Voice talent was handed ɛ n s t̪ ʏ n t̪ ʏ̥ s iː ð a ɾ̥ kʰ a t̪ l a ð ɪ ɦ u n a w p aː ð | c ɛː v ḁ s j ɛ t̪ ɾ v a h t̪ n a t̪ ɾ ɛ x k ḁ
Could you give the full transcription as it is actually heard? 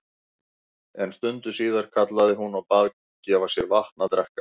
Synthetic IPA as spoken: ɛ n s t̪ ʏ n t̪ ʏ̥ s iː ð a ɾ̥ kʰ a t̪ l a ð ɪ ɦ u n a w p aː ð | c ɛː v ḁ s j ɛ ɾ v a h t̪ n a t̪ ɾ ɛ h k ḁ